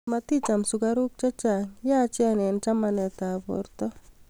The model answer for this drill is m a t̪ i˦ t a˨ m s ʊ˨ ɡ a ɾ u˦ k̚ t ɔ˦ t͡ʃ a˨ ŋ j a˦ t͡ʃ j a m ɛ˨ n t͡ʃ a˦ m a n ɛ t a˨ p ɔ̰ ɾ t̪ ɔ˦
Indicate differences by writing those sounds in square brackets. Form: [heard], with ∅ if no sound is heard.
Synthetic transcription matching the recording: m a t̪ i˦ [t͡ʃ] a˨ m s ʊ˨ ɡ a ɾ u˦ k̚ [t͡ʃ] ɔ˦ t͡ʃ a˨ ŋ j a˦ t͡ʃ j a [n] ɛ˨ n t͡ʃ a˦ m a n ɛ t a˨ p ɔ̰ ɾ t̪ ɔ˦